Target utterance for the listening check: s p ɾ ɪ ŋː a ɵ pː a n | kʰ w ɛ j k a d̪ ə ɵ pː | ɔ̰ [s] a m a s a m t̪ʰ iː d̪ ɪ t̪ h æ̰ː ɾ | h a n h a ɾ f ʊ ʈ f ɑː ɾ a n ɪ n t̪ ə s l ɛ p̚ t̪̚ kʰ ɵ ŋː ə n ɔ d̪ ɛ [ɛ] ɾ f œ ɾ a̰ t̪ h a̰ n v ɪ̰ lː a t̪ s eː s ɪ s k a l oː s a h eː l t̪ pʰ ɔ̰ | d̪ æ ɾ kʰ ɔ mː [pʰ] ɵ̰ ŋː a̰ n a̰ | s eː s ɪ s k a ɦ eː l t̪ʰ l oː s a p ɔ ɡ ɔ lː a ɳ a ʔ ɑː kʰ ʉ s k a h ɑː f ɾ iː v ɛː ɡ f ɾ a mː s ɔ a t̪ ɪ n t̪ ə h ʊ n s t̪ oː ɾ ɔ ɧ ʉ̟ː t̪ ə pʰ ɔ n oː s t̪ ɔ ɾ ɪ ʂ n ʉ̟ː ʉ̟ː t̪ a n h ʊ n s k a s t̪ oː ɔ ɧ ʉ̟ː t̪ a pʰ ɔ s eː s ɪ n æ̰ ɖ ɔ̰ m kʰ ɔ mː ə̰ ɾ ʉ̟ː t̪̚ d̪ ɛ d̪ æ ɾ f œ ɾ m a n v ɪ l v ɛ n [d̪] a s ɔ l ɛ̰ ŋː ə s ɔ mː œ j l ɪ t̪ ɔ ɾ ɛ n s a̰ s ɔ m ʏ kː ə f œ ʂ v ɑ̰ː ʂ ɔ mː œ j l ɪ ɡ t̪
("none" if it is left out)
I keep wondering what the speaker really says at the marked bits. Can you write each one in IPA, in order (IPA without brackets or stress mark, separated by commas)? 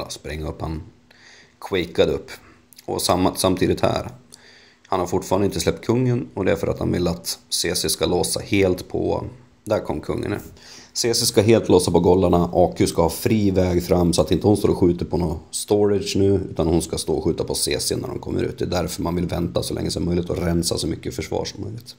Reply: s, æ, kʰ, t̪